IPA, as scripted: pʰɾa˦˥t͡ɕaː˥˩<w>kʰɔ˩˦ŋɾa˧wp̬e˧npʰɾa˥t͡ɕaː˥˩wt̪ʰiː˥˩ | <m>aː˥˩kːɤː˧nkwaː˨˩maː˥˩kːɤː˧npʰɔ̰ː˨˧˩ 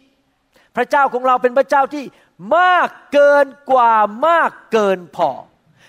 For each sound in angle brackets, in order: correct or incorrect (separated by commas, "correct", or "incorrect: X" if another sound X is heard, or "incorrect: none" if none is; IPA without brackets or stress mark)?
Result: correct, correct